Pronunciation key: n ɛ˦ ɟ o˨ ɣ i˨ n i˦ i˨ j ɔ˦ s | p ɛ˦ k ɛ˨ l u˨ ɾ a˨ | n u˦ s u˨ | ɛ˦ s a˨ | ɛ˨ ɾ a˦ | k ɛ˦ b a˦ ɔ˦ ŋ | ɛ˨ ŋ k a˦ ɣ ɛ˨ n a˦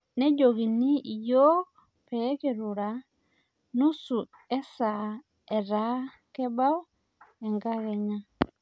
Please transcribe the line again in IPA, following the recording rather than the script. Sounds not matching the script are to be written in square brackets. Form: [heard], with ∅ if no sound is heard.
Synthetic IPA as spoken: n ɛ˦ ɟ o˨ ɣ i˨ n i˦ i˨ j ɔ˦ [∅] | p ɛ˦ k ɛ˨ [ɾ] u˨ ɾ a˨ | n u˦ s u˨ | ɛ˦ s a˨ | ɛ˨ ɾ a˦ | k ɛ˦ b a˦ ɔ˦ [∅] | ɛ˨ ŋ [ɡ] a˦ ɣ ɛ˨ [ɲ] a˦